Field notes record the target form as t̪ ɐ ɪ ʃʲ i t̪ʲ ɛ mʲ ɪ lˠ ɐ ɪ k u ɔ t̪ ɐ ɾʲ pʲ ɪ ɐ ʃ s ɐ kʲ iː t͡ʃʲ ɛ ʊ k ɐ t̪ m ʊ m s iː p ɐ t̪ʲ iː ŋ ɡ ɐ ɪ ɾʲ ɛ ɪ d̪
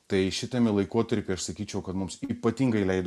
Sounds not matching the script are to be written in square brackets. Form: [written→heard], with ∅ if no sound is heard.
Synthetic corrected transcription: t̪ ɐ ɪ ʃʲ [i→ɪ] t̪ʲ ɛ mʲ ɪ lˠ ɐ ɪ k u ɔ t̪ ɐ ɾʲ pʲ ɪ ɐ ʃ s ɐ kʲ iː t͡ʃʲ ɛ ʊ k ɐ t̪ m ʊ m s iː p ɐ t̪ʲ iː ŋ ɡ ɐ ɪ [ɾʲ→lʲ] ɛ ɪ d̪